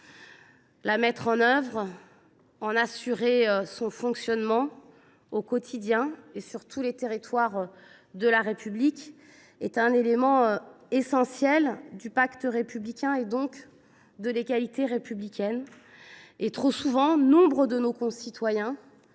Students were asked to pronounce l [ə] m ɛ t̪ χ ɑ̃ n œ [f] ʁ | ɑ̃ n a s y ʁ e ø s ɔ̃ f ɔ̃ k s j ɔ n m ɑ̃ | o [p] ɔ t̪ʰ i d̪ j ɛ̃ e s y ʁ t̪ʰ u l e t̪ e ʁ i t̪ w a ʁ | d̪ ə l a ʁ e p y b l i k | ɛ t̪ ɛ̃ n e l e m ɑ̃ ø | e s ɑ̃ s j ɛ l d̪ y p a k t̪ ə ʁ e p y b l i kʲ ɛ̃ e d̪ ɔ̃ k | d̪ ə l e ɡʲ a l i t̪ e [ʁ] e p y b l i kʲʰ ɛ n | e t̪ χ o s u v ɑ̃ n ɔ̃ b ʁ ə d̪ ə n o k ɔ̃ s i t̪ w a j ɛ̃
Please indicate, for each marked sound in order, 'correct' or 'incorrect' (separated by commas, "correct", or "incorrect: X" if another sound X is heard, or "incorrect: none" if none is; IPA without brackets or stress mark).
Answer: incorrect: a, incorrect: v, incorrect: k, correct